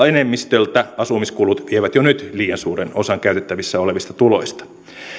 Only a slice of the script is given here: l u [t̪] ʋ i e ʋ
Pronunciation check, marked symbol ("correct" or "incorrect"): correct